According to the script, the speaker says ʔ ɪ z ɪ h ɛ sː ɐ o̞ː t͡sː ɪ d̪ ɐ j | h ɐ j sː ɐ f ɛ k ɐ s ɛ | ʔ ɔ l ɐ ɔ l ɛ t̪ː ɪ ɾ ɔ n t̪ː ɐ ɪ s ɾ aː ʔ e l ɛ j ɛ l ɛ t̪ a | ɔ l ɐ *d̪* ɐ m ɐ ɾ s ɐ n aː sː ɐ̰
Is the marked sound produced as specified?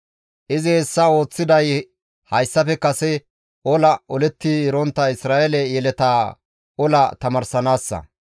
no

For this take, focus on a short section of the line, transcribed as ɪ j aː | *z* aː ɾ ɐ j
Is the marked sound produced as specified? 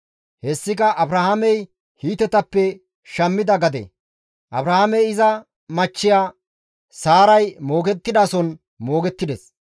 no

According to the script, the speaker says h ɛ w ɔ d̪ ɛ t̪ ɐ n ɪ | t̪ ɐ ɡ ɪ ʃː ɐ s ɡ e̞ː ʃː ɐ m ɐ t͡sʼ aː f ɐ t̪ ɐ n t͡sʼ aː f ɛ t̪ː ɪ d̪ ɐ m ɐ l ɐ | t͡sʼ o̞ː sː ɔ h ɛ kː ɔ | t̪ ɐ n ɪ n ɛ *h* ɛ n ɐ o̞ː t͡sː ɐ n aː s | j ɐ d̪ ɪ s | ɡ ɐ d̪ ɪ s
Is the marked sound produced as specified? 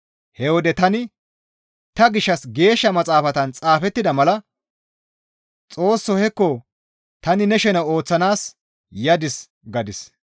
no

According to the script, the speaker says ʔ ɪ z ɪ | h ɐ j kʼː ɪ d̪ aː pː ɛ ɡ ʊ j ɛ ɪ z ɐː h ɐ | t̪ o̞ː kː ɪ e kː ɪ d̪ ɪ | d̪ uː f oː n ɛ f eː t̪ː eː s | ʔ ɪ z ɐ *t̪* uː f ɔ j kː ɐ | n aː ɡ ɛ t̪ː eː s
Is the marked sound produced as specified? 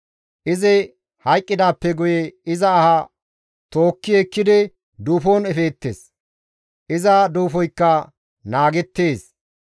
no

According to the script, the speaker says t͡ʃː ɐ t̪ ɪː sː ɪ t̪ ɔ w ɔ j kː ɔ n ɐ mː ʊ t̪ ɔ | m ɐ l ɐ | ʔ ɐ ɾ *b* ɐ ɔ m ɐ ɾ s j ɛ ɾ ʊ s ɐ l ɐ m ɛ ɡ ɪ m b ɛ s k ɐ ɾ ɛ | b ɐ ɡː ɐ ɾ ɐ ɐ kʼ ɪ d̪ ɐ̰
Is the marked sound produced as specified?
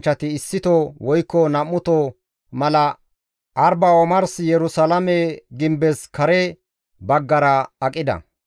yes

